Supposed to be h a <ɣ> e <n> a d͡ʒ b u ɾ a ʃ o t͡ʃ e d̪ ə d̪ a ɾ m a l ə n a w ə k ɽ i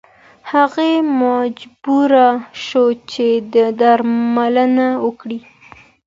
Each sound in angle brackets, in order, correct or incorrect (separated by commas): correct, incorrect